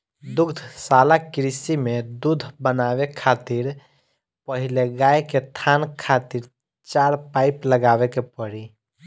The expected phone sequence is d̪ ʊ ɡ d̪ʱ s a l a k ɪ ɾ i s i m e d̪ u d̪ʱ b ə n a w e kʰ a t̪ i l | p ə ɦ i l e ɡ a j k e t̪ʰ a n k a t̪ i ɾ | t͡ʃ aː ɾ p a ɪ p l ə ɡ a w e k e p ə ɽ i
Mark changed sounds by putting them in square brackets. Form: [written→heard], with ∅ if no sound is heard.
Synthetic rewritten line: d̪ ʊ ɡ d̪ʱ s a l a k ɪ ɾ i s i m e d̪ u d̪ʱ b ə n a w e kʰ a t̪ i [l→ɾ] | p ə ɦ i l e ɡ a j k e t̪ʰ a n [k→kʰ] a t̪ i ɾ | t͡ʃ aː ɾ p a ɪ p l ə ɡ a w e k e p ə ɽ i